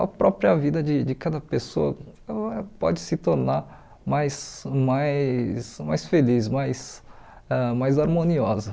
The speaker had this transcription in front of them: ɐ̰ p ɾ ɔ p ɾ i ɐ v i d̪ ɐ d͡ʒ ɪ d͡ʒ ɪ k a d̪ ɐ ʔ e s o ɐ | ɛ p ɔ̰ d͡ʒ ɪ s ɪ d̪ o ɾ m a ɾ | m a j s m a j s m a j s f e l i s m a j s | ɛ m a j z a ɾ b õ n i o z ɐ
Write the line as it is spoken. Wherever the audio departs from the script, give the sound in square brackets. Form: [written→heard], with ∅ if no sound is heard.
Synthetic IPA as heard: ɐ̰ p ɾ ɔ p ɾ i ɐ v i d̪ ɐ d͡ʒ ɪ d͡ʒ ɪ k a d̪ ɐ [ʔ→p] e s o ɐ | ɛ p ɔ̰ d͡ʒ ɪ s ɪ [d̪→t̪] o ɾ [m→n] a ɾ | m a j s m a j s m a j s f e l i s m a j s | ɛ m a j z a ɾ [b→m] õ n i [o→ɔ] z ɐ